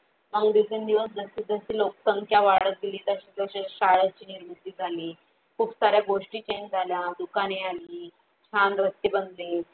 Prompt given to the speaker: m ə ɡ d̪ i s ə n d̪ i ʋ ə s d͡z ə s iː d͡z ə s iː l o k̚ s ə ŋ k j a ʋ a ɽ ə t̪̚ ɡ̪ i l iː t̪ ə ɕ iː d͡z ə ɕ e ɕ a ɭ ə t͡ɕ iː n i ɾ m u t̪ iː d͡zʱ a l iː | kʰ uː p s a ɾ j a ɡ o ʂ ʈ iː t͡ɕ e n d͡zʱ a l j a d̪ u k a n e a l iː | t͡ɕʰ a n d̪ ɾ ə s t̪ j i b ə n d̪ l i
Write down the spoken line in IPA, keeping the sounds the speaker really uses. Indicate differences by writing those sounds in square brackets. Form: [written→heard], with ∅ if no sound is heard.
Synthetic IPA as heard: m ə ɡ d̪ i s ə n d̪ i ʋ ə s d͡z ə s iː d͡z ə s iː l o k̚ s ə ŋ k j a ʋ a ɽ ə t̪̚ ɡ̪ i l iː t̪ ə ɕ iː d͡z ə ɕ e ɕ a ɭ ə t͡ɕ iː n i ɾ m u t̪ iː d͡zʱ a l iː | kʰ uː p s a ɾ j a ɡ o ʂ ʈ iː t͡ɕ e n d͡zʱ a l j a d̪ u k a n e a l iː | t͡ɕʰ a n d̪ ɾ ə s t̪ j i b ə n d̪ l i